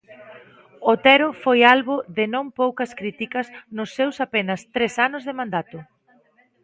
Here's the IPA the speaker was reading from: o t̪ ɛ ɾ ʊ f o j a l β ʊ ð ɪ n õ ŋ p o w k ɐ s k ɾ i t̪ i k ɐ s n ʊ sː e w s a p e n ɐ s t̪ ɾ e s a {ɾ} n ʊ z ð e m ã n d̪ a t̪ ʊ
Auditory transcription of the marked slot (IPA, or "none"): none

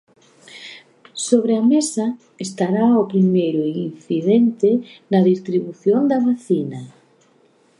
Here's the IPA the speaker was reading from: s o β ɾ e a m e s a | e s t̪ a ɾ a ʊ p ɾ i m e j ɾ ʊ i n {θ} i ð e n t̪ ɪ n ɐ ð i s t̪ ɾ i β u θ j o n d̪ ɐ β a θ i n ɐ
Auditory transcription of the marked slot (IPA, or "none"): θ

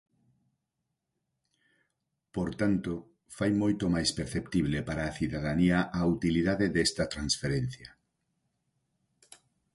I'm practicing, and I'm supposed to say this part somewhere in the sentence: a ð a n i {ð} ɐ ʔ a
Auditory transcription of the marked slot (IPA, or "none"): none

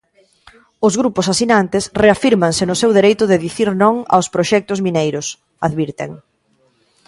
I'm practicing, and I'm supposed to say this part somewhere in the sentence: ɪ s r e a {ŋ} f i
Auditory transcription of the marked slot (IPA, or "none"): none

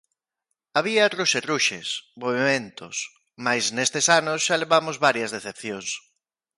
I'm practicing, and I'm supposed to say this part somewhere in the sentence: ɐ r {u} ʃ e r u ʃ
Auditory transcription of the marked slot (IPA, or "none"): u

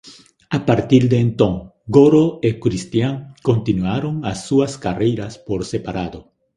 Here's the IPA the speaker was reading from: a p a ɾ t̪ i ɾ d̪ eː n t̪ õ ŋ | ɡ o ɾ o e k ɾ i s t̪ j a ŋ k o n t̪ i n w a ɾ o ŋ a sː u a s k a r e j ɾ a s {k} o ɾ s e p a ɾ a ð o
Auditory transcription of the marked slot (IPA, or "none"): p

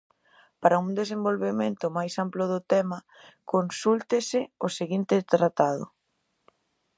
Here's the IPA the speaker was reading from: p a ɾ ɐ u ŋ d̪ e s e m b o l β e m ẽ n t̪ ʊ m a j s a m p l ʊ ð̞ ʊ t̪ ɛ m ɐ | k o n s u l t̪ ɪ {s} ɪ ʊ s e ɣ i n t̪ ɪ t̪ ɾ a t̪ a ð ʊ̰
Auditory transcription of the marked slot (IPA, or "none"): s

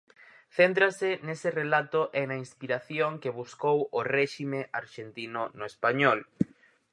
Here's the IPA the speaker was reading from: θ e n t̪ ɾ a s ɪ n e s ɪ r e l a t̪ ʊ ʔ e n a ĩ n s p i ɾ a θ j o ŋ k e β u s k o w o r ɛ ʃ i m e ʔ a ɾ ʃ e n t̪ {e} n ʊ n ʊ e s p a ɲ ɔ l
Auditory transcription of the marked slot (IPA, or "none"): i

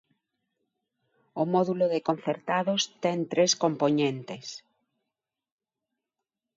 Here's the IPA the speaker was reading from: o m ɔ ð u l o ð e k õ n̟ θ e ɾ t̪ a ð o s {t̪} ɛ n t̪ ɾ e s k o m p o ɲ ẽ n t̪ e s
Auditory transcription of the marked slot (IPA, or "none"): t̪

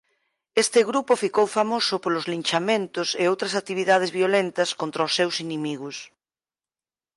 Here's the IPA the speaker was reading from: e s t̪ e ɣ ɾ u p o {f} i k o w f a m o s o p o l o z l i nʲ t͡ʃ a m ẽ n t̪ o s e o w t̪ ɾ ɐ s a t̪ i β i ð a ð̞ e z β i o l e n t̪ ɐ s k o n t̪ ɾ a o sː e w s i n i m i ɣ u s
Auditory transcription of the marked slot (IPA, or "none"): f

